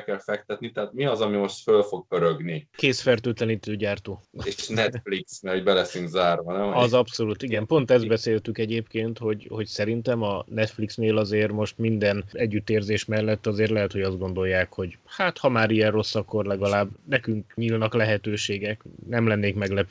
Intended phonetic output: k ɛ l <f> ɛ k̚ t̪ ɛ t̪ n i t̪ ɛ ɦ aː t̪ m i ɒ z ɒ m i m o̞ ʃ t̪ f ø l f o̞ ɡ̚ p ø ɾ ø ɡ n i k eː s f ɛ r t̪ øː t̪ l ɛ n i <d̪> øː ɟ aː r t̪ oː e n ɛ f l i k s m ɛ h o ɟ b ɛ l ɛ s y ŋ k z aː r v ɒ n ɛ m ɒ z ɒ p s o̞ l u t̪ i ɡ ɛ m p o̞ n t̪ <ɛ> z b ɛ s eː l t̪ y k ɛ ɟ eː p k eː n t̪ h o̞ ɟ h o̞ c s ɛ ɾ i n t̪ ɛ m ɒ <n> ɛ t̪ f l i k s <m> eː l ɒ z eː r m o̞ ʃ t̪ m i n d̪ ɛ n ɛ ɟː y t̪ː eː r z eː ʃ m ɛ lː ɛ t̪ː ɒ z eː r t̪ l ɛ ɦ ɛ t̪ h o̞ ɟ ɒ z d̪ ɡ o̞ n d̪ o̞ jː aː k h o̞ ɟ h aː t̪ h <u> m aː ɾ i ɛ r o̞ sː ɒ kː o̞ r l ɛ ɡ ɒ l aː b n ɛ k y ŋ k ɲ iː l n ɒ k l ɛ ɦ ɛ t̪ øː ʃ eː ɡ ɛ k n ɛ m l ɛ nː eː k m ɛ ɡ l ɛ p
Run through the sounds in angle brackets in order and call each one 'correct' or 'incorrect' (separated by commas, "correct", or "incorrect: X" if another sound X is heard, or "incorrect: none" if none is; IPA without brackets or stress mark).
correct, incorrect: t̪, correct, correct, incorrect: n, incorrect: ɒ